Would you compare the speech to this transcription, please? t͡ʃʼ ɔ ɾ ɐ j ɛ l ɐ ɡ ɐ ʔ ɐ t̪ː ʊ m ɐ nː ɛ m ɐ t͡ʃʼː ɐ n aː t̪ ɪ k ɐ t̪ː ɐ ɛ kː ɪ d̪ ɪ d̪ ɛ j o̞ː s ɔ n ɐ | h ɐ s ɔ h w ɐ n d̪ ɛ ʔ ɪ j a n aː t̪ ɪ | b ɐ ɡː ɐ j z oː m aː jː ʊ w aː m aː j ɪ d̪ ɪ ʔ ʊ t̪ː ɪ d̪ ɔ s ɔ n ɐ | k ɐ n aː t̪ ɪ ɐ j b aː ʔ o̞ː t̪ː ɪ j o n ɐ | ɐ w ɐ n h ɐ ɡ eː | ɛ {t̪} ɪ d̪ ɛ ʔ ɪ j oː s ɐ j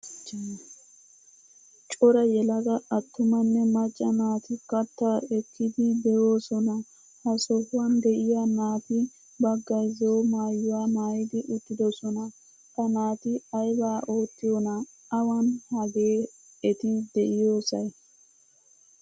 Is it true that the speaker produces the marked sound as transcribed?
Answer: yes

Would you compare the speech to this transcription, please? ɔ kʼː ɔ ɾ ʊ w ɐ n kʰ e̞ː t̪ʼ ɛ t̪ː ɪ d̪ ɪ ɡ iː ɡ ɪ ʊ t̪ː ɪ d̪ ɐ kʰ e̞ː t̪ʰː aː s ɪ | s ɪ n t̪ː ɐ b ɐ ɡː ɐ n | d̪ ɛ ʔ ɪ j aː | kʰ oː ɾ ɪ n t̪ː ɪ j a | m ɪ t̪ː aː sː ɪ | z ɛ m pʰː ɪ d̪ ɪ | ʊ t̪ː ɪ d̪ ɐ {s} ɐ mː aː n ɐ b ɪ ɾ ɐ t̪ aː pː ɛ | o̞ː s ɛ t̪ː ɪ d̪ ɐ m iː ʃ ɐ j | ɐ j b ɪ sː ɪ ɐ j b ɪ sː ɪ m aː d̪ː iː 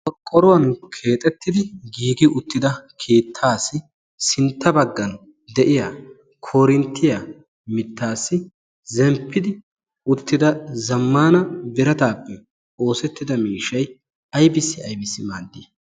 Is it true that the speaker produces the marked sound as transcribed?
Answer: no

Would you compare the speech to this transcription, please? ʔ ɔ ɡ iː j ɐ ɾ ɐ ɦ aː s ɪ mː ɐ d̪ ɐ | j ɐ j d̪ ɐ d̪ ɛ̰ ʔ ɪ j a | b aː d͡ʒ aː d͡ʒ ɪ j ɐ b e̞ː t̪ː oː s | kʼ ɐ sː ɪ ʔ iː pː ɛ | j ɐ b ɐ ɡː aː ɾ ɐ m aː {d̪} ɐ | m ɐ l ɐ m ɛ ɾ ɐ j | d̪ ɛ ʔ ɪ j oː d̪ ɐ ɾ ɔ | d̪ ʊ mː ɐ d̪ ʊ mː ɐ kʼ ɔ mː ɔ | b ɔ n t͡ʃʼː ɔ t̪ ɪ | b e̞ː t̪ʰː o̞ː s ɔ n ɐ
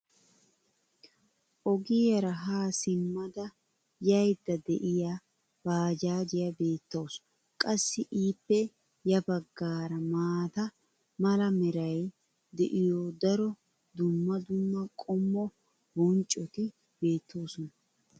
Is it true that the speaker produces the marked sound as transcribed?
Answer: no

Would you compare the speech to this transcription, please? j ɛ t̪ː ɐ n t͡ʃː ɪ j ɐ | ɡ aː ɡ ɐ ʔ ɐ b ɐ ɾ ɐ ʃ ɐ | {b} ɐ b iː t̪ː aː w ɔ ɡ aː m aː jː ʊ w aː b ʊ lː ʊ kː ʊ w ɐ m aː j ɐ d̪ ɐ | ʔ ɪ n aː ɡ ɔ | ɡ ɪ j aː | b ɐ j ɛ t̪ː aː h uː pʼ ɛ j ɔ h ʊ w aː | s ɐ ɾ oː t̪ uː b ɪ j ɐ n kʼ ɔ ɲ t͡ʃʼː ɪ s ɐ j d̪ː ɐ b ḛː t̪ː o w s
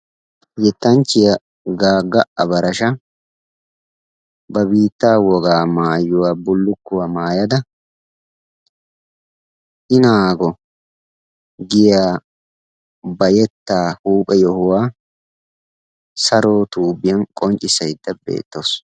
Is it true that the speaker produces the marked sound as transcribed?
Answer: yes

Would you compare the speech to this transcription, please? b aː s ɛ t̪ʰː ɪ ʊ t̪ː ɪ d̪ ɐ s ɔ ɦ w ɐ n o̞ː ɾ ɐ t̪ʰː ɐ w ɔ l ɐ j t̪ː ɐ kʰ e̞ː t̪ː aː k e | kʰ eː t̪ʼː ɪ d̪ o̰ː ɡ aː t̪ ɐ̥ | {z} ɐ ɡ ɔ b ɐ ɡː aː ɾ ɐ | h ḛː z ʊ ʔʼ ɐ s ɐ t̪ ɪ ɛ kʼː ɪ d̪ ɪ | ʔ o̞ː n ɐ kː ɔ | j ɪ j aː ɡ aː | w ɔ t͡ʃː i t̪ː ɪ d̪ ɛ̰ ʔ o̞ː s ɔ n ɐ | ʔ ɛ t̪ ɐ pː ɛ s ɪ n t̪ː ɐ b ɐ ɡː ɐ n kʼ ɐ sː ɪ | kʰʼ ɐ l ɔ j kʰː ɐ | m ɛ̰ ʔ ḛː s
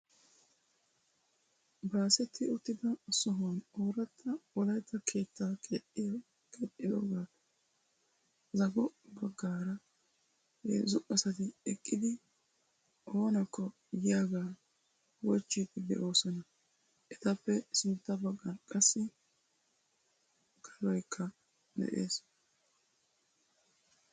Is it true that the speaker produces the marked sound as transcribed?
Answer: yes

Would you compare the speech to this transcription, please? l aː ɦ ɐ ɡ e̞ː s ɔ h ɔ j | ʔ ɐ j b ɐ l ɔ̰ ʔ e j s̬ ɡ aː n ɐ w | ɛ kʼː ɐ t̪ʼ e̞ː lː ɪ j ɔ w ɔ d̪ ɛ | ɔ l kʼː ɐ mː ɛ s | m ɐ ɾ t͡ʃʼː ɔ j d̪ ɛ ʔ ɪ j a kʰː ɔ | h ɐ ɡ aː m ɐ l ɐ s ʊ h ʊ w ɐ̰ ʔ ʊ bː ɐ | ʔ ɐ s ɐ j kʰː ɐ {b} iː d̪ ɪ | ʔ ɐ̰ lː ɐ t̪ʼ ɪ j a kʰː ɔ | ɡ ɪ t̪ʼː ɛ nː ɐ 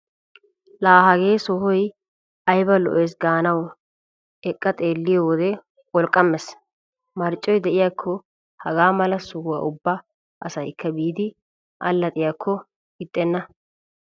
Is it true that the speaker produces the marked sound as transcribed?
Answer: yes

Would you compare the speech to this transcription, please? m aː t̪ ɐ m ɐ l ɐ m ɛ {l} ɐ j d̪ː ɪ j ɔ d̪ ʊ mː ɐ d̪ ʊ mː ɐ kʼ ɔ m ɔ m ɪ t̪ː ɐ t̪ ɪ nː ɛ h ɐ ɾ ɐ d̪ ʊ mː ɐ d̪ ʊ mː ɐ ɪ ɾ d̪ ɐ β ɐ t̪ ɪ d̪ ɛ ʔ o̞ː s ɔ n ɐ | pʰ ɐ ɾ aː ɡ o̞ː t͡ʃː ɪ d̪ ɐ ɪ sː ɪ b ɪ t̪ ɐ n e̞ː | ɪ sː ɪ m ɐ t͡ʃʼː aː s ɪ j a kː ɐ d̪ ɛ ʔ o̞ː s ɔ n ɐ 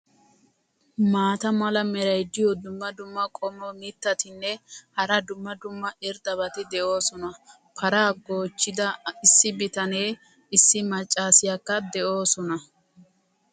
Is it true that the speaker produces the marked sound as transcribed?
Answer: no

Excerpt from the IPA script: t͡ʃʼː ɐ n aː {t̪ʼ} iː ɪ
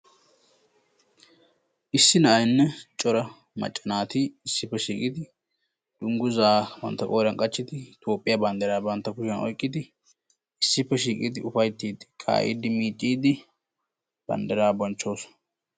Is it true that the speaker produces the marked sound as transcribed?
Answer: no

